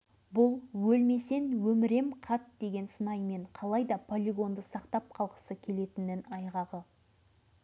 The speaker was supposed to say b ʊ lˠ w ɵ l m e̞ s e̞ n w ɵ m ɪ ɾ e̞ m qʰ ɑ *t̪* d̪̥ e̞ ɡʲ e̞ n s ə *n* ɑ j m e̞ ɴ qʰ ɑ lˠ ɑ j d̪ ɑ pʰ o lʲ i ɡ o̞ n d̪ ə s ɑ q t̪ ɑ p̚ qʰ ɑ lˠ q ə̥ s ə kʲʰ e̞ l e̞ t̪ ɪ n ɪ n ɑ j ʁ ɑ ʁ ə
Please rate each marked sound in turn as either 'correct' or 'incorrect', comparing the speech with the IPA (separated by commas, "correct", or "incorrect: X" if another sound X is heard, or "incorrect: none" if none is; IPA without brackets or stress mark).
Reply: correct, correct